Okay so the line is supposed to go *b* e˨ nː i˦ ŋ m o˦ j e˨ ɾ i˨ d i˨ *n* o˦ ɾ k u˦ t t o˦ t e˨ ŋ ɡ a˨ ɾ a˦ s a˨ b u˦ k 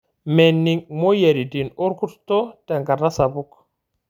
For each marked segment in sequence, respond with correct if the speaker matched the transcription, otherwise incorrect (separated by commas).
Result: incorrect, correct